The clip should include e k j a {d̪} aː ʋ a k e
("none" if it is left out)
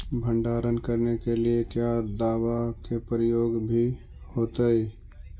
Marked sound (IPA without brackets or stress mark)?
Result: d̪